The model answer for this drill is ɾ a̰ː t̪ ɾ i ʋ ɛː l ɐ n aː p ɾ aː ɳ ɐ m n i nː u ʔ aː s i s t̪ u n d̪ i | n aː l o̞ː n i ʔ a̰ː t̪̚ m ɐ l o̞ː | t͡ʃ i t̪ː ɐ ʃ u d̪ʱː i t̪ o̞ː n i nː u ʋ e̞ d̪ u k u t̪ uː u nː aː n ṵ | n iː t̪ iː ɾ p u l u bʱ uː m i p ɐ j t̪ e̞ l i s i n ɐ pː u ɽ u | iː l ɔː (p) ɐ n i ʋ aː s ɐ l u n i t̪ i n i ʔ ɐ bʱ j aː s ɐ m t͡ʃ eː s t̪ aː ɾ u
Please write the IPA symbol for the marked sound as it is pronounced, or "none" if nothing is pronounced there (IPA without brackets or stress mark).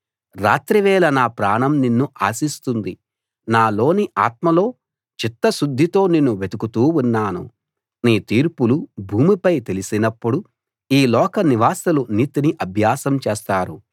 k